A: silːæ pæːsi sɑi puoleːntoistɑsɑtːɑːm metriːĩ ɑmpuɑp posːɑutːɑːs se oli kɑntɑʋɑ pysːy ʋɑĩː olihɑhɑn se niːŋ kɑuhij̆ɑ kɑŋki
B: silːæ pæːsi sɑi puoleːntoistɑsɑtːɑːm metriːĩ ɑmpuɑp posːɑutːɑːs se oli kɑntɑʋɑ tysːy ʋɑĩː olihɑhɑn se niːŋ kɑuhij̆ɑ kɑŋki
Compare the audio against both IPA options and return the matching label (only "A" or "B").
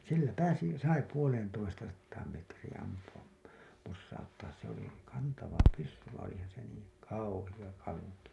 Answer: A